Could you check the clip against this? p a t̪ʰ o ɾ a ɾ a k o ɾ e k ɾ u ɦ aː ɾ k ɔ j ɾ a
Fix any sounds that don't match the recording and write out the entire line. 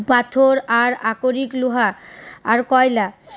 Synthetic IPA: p a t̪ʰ o ɾ a ɾ a k o ɾ i k l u ɦ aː ɾ k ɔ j l a